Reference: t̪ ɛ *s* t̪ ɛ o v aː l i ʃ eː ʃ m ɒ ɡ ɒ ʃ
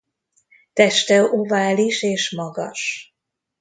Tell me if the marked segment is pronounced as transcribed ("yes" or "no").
no